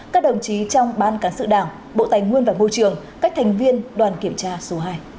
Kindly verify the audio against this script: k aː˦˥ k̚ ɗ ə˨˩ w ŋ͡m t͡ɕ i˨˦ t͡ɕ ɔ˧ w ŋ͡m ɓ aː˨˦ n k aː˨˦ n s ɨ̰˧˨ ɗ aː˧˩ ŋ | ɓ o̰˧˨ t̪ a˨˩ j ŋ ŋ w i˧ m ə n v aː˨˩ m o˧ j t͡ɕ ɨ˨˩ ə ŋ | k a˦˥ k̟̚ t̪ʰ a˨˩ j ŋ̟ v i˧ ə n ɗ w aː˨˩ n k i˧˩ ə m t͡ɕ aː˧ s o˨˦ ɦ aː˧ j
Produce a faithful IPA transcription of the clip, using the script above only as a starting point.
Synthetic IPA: k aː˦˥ k̚ ɗ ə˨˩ w ŋ͡m t͡ɕ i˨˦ t͡ɕ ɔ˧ w ŋ͡m ɓ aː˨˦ n k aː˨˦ n s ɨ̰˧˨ ɗ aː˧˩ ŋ | ɓ o̰˧˨ t̪ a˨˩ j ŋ ŋ w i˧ ə n v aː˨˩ m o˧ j t͡ɕ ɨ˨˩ ə ŋ | k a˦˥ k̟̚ t̪ʰ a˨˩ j ŋ̟ v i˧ ə n ɗ w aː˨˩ n k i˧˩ ə m t͡ɕ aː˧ s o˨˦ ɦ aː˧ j